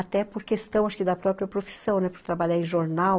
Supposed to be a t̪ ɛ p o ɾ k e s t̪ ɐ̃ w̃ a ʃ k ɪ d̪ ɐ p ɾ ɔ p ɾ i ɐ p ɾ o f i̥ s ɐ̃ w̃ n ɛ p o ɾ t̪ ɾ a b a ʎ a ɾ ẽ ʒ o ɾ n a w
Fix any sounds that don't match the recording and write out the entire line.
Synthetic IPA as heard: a t̪ ɛ p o ɾ k e s t̪ ɐ̃ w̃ a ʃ k ɪ d̪ ɐ p ɾ ɔ p ɾ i ɐ p ɾ o f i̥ s ɐ̃ w̃ n ɛ p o ɾ t̪ ɾ a b a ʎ a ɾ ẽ ʒ o ɾ n a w